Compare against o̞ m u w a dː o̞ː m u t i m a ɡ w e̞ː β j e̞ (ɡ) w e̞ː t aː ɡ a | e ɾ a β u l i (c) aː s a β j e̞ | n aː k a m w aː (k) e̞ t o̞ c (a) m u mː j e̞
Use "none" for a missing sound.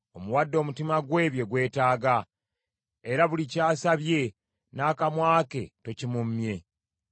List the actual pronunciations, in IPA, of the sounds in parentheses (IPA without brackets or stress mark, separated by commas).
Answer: ɡ, c, k, i